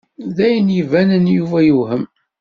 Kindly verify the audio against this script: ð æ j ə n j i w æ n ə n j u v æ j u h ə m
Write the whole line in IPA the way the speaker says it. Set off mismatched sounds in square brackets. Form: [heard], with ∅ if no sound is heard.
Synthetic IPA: ð æ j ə n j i [v] æ n ə n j u v æ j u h ə m